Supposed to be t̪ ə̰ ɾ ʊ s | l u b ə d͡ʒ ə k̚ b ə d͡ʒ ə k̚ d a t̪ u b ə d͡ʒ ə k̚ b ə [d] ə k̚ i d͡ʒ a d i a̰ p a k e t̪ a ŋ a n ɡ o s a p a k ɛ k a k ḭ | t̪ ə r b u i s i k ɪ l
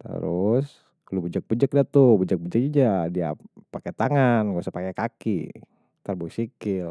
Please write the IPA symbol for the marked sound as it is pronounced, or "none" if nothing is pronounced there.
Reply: d͡ʒ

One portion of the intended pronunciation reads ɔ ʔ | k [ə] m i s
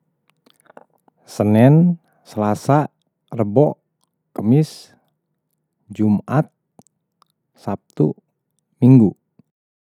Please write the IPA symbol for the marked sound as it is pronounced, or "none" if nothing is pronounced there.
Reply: ə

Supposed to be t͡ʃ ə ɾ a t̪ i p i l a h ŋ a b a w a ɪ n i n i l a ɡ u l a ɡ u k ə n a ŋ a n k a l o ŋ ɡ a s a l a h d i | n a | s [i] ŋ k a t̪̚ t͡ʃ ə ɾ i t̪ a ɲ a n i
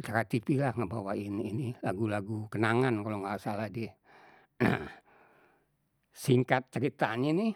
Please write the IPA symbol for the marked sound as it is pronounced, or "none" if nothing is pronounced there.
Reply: i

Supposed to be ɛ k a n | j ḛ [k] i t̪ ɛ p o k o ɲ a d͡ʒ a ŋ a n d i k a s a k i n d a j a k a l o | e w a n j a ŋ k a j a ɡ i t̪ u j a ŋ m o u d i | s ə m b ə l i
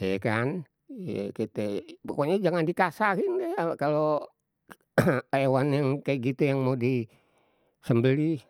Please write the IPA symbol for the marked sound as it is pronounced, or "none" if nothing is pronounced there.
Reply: k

